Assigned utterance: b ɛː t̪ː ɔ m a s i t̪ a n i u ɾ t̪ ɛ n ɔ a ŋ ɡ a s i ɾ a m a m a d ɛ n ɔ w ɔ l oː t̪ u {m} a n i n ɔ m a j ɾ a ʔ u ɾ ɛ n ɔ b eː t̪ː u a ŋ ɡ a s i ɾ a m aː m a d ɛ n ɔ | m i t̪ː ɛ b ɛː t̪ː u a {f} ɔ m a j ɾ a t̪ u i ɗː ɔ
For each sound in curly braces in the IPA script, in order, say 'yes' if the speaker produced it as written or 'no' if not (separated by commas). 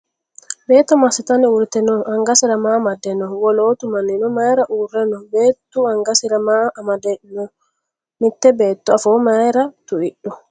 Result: yes, yes